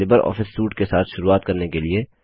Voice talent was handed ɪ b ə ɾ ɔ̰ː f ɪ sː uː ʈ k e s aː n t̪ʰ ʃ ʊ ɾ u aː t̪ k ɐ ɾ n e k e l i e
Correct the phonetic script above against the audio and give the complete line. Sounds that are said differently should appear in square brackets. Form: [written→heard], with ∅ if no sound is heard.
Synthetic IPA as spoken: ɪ b ə ɾ ɔ̰ː f ɪ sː uː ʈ k e s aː [n→∅] t̪ʰ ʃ ʊ ɾ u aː t̪ k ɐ ɾ n e k e l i e